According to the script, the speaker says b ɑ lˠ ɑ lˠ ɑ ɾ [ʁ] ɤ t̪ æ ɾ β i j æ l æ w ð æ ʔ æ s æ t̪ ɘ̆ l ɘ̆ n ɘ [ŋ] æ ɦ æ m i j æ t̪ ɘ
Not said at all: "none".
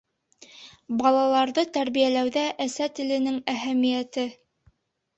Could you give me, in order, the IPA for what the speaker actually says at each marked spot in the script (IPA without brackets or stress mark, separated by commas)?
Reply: ð, ŋ